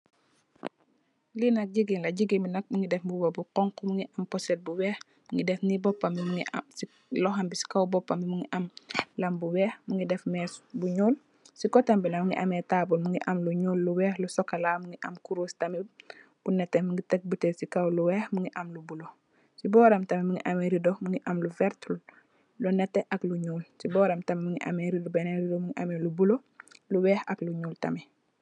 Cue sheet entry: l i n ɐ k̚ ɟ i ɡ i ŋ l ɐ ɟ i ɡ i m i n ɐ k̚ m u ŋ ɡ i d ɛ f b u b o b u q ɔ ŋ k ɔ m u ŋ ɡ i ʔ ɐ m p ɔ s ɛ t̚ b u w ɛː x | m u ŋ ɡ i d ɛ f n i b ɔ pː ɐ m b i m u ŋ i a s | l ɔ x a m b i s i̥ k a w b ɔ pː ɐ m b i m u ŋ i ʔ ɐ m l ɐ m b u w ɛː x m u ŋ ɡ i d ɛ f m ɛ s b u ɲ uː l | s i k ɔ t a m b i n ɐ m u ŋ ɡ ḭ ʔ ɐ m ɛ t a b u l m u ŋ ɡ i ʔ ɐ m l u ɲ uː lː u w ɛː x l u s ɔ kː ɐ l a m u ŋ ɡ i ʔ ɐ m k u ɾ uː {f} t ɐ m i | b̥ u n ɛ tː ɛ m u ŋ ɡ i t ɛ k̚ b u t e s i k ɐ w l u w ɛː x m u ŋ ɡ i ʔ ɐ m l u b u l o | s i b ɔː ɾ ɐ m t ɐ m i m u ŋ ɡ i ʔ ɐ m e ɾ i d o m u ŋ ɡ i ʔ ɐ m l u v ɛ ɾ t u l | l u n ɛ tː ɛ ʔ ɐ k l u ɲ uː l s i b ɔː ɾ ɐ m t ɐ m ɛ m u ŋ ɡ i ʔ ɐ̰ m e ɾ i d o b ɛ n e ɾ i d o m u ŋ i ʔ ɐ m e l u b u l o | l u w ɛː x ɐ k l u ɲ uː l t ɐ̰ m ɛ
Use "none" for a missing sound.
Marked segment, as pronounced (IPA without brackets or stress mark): s